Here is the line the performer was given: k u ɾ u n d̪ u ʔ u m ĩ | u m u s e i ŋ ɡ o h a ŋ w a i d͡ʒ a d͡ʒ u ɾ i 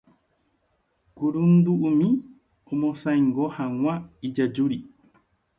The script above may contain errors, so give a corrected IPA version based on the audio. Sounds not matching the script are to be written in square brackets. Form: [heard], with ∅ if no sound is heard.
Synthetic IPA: k u ɾ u n d̪ u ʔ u m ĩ | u m [o] s [a] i ŋ ɡ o h a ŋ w a i d͡ʒ a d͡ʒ u ɾ i